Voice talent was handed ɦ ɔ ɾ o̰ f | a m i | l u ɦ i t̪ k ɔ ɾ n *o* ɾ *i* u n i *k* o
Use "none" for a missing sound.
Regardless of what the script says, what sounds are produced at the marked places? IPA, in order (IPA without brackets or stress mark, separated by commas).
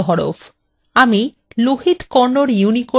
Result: o, j, k